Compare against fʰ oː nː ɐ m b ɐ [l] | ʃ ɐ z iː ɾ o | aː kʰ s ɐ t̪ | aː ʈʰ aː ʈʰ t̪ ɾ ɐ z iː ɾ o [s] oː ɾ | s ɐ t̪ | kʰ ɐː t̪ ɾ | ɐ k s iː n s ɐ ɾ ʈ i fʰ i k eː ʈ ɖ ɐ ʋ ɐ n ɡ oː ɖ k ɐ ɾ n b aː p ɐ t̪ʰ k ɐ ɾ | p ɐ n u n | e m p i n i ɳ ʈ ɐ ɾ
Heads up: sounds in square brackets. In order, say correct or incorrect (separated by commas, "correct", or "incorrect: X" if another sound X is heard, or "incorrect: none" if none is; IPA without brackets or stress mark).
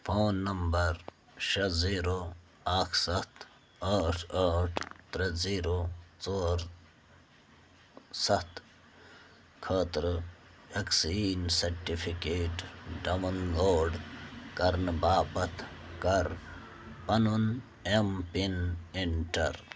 incorrect: ɾ, incorrect: t͡s